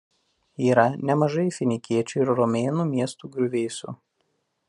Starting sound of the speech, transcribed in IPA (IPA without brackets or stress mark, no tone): iː